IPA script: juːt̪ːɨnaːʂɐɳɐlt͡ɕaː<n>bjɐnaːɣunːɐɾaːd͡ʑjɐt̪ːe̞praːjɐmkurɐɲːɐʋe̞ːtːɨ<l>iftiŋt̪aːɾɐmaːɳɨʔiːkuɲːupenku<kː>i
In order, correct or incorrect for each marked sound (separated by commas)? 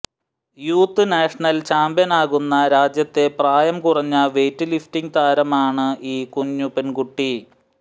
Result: incorrect, correct, incorrect